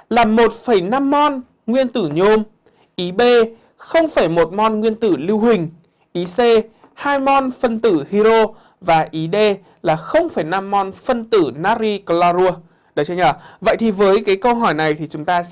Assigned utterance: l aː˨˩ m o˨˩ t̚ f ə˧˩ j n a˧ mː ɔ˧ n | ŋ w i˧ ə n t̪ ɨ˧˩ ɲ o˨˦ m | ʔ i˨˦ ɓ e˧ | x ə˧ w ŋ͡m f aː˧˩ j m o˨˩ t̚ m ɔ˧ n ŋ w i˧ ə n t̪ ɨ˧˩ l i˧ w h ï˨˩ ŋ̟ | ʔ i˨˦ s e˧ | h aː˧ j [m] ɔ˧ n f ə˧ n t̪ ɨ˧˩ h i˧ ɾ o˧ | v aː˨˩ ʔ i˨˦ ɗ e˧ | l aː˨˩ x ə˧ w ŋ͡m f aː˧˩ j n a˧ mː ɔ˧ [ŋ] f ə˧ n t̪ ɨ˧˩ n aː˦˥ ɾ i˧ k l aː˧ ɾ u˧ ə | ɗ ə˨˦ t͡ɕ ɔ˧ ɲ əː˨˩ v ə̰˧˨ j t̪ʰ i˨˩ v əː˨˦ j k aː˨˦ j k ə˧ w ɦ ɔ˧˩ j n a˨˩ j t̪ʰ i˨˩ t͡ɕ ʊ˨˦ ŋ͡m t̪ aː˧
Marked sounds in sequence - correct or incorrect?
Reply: correct, incorrect: n

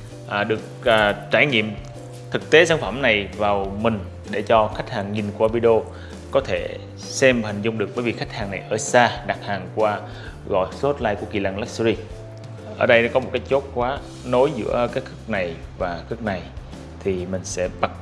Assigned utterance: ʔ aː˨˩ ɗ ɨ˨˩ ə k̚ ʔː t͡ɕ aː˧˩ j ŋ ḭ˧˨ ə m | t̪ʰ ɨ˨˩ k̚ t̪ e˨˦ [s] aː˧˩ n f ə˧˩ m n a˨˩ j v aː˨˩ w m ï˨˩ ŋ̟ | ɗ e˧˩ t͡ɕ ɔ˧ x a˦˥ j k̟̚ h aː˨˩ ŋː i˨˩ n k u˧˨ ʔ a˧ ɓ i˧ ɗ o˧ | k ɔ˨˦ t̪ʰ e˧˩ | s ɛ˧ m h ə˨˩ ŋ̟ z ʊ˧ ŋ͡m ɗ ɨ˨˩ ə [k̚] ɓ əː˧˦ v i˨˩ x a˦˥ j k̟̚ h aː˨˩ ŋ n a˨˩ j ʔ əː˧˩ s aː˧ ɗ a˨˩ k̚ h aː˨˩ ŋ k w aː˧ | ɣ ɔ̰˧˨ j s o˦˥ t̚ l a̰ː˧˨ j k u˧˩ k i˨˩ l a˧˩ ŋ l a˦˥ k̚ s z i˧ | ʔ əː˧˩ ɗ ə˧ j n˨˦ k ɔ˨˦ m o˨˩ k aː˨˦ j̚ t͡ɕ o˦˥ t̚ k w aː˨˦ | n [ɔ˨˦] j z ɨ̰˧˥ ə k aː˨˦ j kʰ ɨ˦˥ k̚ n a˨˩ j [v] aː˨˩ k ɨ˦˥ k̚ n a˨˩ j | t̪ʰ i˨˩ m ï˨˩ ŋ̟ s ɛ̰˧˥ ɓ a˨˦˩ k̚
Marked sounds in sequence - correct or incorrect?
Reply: correct, correct, incorrect: o˨˦, correct

